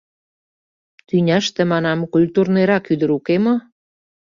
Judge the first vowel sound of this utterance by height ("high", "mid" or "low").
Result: high